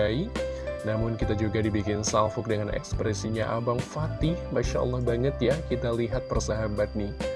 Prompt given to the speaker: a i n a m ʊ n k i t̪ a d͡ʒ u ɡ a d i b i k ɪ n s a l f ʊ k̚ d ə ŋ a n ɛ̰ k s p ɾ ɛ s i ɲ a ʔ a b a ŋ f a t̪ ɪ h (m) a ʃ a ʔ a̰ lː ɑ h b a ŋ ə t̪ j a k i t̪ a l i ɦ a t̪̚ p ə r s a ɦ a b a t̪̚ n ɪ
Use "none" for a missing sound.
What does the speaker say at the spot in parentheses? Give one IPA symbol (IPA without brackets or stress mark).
m